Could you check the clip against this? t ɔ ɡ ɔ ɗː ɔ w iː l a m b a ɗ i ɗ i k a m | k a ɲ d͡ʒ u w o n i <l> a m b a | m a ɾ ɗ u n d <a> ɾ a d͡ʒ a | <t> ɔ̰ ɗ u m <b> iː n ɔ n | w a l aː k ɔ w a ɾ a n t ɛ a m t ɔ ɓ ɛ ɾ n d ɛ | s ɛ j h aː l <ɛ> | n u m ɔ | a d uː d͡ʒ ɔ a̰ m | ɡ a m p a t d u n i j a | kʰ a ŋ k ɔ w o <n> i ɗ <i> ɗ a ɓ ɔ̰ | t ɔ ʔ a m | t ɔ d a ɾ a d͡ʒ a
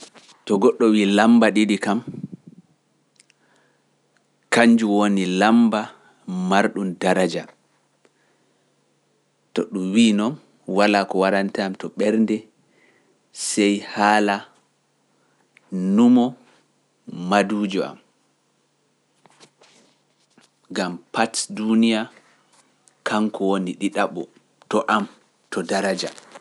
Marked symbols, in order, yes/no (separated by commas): yes, yes, yes, no, no, yes, yes